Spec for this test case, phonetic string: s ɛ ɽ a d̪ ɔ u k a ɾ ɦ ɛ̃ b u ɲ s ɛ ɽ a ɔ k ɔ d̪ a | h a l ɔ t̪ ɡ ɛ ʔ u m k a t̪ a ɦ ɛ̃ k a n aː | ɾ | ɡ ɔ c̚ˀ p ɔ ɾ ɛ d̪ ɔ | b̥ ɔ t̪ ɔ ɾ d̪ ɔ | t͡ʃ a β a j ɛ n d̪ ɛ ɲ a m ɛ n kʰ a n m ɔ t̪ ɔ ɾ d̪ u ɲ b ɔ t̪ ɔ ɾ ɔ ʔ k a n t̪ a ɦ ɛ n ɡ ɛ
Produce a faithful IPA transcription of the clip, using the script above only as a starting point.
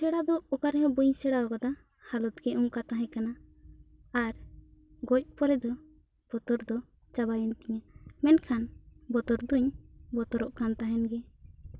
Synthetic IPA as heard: s ɛ ɽ a d̪ ɔ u k a ɾ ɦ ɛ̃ b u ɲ s ɛ ɽ a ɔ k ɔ d̪ a | h a l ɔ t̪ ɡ ɛ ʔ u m k a t̪ a ɦ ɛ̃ k a n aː | ɾ | ɡ ɔ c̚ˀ p ɔ ɾ ɛ d̪ ɔ | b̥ ɔ t̪ ɔ ɾ d̪ ɔ | t͡ʃ a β a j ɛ n t̪ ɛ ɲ a m ɛ n kʰ a n b ɔ t̪ ɔ ɾ d̪ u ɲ b ɔ t̪ ɔ ɾ ɔ ʔ k a n t̪ a ɦ ɛ n ɡ ɛ